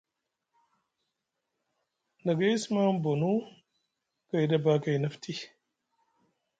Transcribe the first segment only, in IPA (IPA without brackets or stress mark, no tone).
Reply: n